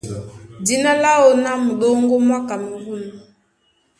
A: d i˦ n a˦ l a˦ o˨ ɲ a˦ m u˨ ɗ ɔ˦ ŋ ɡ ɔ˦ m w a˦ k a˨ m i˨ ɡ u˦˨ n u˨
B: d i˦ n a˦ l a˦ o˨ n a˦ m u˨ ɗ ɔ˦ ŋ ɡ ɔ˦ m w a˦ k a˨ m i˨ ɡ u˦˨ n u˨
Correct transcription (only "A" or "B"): B